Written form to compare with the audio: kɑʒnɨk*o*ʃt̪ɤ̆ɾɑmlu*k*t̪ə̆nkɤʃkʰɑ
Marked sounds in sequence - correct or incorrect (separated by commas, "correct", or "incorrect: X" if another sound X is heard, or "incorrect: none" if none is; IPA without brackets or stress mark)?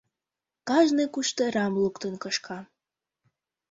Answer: incorrect: u, correct